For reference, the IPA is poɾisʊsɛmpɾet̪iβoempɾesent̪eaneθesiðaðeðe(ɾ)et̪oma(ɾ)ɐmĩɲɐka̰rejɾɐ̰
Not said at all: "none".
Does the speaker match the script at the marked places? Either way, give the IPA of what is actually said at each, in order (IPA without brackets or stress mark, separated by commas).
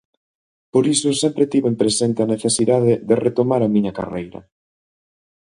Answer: r, ɾ